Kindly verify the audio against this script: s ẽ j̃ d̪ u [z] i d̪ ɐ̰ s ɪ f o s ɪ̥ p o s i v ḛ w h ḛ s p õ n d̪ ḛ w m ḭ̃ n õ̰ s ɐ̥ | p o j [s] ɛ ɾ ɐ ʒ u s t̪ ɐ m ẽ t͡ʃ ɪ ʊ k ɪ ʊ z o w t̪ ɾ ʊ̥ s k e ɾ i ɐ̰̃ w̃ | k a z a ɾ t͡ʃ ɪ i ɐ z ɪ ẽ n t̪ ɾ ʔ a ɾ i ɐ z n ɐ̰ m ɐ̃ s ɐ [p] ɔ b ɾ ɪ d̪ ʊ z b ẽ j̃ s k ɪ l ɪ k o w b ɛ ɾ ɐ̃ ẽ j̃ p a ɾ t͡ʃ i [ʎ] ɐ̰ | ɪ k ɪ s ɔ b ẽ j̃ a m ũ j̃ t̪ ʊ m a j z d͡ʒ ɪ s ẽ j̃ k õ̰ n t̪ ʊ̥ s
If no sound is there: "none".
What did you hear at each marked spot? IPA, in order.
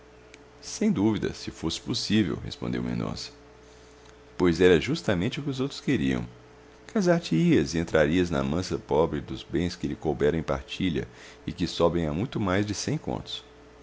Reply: v, z, p, ʎ

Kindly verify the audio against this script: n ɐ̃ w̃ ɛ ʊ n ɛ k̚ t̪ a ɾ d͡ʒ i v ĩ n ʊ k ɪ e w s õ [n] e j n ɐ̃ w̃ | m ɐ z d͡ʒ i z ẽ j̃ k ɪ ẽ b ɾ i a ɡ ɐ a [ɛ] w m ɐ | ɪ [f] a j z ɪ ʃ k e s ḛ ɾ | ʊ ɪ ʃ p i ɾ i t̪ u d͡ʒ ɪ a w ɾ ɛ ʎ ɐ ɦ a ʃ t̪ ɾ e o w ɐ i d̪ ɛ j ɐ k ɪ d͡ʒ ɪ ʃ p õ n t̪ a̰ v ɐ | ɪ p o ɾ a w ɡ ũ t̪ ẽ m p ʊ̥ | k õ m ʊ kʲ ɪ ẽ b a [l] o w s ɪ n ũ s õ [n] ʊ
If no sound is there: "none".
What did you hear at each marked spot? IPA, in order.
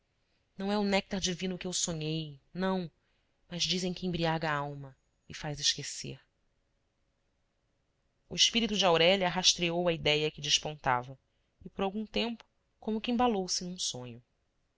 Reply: ɲ, a, f, l, ɲ

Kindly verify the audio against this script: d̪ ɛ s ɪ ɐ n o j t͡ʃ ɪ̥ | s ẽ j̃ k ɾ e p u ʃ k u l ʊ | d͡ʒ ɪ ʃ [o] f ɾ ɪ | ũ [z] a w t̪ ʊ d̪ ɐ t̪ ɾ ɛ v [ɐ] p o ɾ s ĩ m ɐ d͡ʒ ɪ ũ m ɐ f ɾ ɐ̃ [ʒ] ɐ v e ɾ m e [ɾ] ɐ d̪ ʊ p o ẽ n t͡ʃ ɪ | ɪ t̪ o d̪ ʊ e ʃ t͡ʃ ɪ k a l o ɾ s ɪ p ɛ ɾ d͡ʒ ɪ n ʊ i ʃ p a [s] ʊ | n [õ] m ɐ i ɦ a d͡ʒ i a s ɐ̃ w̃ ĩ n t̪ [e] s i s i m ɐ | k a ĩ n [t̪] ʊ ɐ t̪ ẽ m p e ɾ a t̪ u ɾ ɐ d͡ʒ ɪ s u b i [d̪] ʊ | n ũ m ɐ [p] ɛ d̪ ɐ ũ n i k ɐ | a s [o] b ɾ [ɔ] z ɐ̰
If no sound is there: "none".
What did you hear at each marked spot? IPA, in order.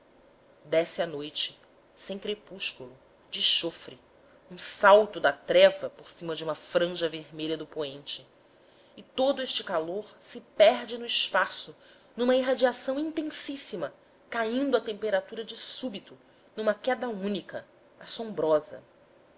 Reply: o, s, ɐ, ʒ, ʎ, s, ũ, ẽ, d̪, t̪, k, õ, ɔ

